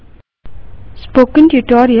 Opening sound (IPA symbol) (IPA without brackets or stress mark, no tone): s